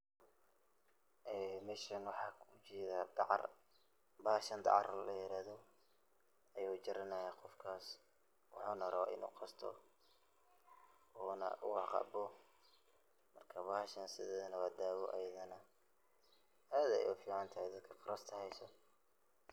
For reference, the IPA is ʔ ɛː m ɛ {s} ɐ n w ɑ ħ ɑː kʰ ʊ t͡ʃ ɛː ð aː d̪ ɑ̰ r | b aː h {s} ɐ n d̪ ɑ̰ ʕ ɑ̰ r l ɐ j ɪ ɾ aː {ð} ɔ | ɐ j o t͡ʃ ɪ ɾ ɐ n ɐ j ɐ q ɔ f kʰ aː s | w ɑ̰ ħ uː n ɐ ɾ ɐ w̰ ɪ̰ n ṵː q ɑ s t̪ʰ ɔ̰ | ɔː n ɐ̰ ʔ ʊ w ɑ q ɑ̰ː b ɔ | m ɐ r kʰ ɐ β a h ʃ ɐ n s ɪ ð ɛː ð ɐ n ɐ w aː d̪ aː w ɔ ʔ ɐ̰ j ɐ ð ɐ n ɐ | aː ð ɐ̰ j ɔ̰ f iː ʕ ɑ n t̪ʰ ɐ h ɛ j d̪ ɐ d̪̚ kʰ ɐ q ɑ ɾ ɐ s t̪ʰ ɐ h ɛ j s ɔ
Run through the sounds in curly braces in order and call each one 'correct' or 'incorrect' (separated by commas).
incorrect, incorrect, correct